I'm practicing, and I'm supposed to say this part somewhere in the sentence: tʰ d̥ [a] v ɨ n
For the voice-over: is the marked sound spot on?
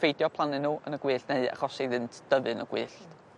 no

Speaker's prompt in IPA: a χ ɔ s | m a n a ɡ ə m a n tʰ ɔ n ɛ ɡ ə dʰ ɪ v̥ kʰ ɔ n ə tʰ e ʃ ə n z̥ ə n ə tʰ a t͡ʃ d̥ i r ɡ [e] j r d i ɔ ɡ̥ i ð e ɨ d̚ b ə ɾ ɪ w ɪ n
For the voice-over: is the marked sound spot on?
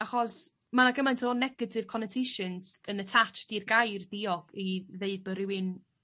no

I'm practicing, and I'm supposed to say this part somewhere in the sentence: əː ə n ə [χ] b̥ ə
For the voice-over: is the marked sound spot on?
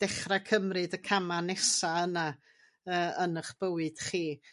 yes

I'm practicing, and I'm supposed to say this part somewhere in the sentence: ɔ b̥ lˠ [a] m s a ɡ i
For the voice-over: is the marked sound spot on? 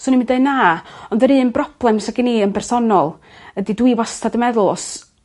no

